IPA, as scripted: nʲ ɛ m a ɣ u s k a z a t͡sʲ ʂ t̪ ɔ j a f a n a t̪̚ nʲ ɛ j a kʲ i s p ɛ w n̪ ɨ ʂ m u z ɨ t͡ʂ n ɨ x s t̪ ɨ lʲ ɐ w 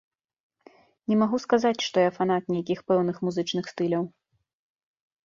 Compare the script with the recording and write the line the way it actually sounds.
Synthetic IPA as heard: nʲ ɛ m a ɣ u s k a z a t͡sʲ ʂ t̪ ɔ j a f a n a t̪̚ nʲ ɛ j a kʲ i x p ɛ w n̪ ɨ x m u z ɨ t͡ʂ n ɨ x s t̪ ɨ lʲ ɐ w